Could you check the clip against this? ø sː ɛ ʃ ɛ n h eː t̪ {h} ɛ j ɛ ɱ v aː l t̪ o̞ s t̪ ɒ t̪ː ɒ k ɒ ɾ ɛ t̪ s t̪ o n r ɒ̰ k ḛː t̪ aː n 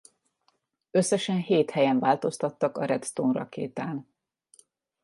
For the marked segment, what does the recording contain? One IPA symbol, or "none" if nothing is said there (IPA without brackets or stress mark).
h